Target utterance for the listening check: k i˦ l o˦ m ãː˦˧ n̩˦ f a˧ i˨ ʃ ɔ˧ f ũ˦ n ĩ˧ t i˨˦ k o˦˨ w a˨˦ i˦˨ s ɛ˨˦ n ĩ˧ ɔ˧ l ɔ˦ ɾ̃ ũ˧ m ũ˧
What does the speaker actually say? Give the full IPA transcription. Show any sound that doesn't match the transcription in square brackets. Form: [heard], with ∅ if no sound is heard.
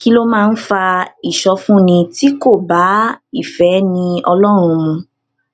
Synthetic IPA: k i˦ l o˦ m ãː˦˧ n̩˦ f a˧ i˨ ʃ ɔ˧ f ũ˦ n ĩ˧ t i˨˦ k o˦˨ [b] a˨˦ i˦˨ [f] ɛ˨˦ n ĩ˧ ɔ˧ l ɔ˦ ɾ̃ ũ˧ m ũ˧